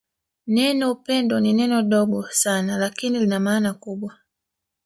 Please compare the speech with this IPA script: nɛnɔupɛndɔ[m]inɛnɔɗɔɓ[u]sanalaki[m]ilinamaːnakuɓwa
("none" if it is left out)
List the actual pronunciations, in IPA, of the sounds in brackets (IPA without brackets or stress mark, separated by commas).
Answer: n, ɔ, n